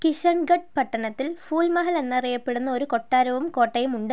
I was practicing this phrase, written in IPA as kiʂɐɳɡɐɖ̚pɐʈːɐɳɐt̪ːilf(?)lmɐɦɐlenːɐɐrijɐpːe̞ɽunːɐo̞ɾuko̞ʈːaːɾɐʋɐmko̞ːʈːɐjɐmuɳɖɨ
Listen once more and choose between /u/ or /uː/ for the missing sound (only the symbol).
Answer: uː